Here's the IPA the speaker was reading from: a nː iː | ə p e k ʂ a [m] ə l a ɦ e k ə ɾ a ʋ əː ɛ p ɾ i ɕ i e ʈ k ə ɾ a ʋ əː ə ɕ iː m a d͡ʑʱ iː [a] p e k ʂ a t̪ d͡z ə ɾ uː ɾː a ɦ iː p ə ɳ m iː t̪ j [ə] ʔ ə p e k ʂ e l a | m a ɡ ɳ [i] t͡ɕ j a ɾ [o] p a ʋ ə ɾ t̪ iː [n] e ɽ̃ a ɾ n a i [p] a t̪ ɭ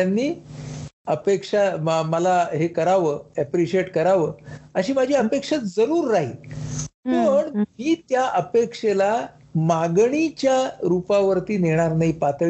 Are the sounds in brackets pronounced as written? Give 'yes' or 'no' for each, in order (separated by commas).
yes, no, no, yes, no, yes, yes